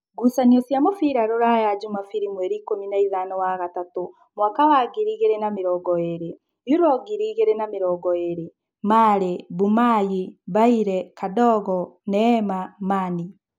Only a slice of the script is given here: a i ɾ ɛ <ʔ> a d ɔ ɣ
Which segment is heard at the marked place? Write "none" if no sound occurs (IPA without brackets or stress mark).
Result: k